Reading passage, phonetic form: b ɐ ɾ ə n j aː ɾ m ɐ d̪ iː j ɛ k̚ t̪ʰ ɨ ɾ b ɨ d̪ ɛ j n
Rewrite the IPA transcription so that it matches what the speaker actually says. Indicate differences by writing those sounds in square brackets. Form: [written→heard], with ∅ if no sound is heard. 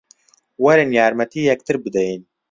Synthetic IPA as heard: [b→w] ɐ ɾ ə n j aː ɾ m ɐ [d̪→t̪] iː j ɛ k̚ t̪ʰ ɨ ɾ b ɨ d̪ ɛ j n